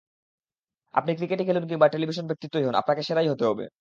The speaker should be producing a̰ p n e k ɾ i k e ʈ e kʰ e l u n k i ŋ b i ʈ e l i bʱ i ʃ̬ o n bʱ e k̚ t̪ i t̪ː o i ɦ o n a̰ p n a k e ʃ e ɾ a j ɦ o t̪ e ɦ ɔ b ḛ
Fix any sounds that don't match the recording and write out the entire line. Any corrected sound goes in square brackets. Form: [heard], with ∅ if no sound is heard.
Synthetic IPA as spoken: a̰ p n [i] k ɾ i k e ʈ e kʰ e l u n k i ŋ b [a] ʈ e l i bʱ i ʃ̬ o n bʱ e k̚ t̪ i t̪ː o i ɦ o n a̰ p n a k e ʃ e ɾ a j ɦ o t̪ e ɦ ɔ b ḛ